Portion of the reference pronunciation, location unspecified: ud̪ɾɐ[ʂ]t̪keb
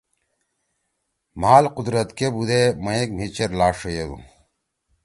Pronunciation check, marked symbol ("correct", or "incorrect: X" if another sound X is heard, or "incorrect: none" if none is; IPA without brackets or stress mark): incorrect: none